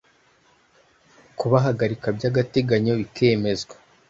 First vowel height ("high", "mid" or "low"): high